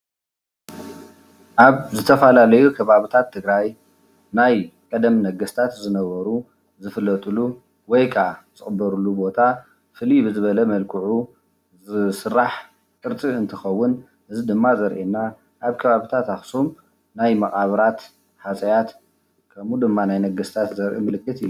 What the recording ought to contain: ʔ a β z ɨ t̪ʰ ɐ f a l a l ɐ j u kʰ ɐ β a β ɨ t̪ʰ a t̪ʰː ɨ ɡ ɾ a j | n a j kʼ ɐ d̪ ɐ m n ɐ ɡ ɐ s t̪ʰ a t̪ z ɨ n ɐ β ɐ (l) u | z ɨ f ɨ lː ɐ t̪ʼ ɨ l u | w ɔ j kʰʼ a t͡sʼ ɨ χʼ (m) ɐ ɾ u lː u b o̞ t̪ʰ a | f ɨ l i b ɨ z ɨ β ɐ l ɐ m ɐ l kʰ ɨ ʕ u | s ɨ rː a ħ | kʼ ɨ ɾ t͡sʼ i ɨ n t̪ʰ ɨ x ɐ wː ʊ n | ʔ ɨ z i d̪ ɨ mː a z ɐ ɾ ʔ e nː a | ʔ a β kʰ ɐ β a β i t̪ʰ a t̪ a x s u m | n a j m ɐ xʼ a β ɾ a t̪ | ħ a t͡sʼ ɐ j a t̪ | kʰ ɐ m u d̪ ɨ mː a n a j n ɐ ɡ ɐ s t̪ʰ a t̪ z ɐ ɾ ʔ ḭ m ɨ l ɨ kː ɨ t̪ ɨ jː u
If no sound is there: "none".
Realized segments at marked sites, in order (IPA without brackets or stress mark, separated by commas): ɾ, b